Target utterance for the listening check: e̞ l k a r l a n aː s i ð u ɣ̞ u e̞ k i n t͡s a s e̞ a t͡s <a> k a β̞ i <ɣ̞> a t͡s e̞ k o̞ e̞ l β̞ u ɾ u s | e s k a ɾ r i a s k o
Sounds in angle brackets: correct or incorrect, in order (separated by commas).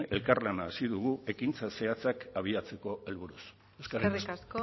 correct, incorrect